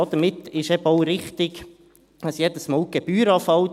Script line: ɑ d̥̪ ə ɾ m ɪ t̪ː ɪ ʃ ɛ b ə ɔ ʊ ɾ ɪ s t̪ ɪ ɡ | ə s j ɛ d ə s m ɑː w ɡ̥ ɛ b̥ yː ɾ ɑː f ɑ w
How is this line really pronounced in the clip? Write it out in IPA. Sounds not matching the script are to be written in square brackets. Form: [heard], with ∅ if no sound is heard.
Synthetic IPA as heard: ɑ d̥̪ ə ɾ m ɪ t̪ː ɪ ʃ ɛ b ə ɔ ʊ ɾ ɪ [χ] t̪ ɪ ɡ | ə s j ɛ d ə s m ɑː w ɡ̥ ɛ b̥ yː ɾ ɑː f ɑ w